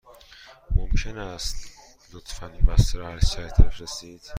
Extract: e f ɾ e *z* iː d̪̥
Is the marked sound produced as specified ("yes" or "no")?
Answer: no